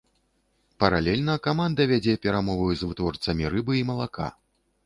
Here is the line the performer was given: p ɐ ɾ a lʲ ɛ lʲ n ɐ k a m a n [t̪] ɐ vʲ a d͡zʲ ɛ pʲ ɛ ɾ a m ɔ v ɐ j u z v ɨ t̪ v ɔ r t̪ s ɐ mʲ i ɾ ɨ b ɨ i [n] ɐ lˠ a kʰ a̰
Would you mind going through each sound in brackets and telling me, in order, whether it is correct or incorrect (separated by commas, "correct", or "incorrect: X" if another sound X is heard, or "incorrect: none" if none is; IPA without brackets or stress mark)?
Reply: incorrect: d̪, incorrect: m